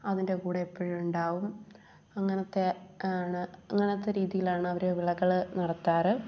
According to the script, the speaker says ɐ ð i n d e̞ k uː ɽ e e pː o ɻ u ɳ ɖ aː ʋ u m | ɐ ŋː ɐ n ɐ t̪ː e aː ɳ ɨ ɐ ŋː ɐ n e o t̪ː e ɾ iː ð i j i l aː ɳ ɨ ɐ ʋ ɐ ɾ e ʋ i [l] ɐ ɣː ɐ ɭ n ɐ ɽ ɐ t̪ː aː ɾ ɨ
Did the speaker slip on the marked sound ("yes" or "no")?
yes